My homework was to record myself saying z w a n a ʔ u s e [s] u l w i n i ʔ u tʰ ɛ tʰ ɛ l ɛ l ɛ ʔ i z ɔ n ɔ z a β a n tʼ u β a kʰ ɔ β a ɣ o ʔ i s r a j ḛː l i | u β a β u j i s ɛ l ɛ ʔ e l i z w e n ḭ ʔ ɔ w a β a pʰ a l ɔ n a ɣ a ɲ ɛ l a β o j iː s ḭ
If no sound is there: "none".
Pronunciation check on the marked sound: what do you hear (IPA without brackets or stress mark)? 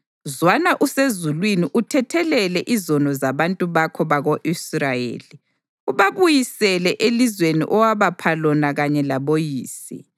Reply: z